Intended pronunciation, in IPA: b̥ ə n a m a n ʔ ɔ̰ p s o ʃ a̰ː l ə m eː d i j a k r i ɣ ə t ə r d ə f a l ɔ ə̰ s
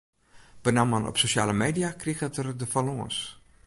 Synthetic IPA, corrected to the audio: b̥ ə n a m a n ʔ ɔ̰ p s o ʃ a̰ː l ə m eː d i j a k r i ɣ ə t ə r d ə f a l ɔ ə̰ s